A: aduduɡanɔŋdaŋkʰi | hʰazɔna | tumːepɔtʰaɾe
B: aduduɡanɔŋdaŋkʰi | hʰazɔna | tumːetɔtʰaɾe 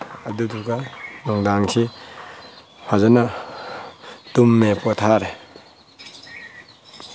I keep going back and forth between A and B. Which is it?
A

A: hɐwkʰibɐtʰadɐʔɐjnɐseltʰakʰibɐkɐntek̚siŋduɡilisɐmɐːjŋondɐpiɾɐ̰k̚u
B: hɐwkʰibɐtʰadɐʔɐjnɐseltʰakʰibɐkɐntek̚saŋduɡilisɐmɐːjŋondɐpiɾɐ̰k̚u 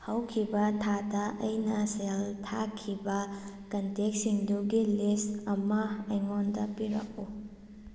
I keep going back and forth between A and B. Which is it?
A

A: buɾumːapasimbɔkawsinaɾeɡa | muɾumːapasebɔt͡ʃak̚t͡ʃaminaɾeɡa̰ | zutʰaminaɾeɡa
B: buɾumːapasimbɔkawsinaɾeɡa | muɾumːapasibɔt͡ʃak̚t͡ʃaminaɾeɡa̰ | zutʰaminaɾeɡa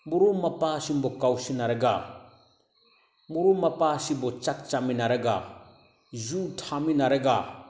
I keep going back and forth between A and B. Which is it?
B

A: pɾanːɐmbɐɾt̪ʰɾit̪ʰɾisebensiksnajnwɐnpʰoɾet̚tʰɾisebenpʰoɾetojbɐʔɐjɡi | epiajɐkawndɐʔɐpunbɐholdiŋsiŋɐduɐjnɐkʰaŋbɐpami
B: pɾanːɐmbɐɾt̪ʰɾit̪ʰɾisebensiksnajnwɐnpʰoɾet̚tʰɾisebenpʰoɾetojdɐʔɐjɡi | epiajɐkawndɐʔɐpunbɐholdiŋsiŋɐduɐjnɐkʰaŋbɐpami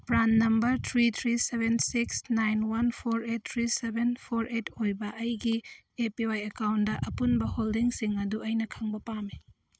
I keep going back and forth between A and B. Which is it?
A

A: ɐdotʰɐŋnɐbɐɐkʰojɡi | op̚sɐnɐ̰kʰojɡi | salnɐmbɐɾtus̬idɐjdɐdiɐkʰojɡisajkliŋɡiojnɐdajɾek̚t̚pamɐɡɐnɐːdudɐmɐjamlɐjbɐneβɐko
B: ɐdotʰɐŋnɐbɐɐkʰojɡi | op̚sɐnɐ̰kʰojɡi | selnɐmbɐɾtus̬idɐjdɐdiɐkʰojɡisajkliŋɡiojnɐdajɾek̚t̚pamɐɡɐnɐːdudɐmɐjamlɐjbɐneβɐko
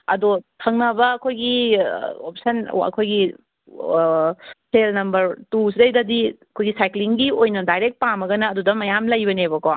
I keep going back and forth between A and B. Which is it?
B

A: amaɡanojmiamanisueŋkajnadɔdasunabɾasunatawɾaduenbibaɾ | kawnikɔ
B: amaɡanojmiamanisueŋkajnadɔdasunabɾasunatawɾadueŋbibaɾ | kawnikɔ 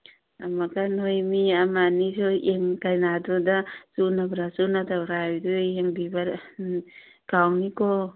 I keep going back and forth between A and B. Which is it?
B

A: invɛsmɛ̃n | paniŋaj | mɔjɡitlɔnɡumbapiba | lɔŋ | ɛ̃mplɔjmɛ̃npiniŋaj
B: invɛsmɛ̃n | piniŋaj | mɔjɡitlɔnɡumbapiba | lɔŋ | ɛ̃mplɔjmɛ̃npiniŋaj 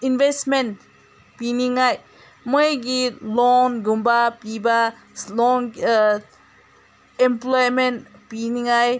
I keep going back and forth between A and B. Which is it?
B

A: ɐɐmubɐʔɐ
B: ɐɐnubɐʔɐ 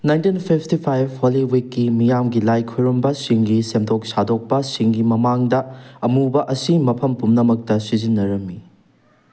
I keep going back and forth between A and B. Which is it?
A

